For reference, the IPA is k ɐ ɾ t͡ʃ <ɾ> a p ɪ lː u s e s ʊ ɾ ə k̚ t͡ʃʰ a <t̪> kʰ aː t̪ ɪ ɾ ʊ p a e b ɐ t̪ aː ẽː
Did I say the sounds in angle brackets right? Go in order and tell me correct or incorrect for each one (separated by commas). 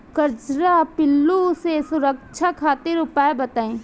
correct, incorrect